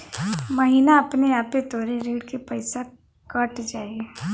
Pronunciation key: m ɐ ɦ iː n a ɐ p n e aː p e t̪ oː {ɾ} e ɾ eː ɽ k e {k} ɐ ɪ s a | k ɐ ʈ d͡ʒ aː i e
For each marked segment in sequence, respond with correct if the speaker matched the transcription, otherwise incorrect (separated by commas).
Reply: correct, incorrect